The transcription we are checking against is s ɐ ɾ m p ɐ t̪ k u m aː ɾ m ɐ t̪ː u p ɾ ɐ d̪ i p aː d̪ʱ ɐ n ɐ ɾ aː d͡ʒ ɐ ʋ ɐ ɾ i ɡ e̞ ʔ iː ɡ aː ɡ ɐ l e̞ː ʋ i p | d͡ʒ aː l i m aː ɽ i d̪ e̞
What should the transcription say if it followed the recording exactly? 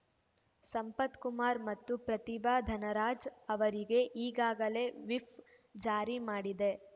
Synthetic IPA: s ɐ m p ɐ t̪ k u m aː ɾ m ɐ t̪ː u p ɾ ɐ t̪ i b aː d̪ʱ ɐ n ɐ ɾ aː d͡ʒ ɐ ʋ ɐ ɾ i ɡ e̞ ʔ iː ɡ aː ɡ ɐ l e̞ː ʋ i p | d͡ʒ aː ɾ i m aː ɽ i d̪ e̞